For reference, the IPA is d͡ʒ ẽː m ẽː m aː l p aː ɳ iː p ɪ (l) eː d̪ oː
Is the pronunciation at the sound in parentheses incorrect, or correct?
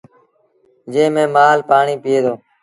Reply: incorrect